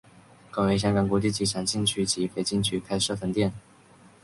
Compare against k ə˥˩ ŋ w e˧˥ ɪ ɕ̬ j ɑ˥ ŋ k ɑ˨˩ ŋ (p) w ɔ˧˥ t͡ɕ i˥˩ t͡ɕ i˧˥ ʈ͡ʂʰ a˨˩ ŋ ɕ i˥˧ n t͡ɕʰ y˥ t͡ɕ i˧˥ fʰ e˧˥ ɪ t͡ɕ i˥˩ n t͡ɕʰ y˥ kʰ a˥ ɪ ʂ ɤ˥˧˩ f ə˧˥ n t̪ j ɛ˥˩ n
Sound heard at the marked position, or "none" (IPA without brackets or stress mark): k